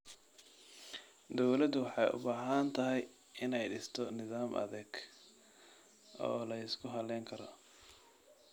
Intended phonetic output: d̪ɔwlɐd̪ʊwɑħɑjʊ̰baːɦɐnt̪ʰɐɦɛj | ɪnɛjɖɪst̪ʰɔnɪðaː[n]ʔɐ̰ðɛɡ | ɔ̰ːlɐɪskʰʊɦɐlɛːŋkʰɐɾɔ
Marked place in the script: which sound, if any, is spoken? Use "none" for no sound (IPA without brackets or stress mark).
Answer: m